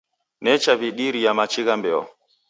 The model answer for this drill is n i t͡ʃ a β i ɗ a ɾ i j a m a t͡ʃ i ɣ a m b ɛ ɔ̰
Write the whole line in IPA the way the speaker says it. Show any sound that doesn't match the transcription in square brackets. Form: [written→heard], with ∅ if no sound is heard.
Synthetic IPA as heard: n [i→ɛ] t͡ʃ a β i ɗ [a→i] ɾ i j a m a t͡ʃ i ɣ a m b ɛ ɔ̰